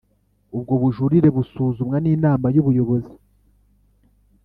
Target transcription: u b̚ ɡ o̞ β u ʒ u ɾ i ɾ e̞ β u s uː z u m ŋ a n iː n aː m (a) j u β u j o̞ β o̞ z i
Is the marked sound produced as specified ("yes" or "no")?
yes